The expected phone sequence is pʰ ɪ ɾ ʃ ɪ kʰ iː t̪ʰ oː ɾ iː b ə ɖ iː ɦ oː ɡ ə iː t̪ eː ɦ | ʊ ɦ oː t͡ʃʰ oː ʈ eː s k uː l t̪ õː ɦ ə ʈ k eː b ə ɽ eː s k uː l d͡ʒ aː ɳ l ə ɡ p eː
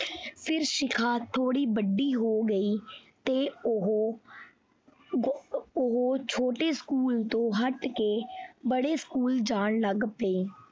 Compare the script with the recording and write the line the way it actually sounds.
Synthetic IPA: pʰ ɪ ɾ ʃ ɪ kʰ aː t̪ʰ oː ɽ iː b ə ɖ iː ɦ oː ɡ ə iː t̪ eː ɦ | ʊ ɦ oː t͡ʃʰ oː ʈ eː s k uː l t̪ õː ɦ ə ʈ k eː b ə ɽ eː s k uː l d͡ʒ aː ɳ l ə ɡ p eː